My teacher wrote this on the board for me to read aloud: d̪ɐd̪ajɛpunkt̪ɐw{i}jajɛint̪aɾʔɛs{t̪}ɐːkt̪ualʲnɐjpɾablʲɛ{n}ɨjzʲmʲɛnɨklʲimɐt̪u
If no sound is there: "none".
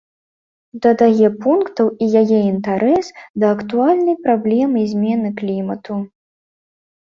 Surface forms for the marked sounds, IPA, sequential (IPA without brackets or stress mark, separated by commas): i, d̪, m